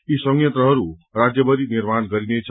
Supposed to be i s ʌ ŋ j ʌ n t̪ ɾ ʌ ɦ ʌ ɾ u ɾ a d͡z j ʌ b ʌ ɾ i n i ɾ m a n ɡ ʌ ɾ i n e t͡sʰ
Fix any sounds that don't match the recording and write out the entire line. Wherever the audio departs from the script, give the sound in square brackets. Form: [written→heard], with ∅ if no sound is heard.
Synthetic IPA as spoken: i s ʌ ŋ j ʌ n t̪ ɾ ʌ ɦ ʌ ɾ u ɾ a d͡z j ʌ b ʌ ɾ i n i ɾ m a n ɡ ʌ ɾ i n e t͡sʰ